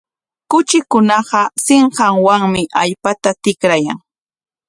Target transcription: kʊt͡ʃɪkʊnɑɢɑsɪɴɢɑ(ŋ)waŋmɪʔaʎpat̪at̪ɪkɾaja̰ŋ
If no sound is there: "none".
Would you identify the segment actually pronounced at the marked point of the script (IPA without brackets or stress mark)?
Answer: ŋ